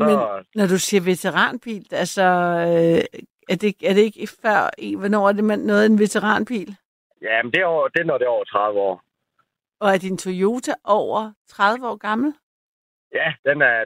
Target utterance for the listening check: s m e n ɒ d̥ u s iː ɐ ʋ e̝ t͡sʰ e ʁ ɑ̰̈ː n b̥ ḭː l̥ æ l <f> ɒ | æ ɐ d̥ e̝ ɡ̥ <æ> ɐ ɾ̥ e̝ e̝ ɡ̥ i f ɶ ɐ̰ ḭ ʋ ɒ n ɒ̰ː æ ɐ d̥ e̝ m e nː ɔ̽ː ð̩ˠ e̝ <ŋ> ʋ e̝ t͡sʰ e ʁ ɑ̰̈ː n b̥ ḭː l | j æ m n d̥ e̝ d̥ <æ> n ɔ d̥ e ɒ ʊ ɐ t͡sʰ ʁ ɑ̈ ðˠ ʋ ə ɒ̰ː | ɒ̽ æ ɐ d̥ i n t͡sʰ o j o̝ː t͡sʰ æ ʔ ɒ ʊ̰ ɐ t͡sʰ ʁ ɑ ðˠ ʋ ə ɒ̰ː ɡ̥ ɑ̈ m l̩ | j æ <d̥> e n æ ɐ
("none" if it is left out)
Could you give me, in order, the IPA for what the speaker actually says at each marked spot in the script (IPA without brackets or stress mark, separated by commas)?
s, æ, n, e, d̥